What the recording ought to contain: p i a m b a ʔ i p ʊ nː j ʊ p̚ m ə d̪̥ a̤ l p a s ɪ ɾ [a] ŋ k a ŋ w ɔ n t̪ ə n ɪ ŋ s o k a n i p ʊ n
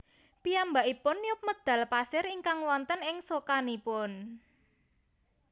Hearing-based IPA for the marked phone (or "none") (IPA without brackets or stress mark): i